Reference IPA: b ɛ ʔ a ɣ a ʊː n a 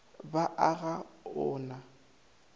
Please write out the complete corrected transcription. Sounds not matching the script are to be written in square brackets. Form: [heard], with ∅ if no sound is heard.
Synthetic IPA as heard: b [a] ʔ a ɣ a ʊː n a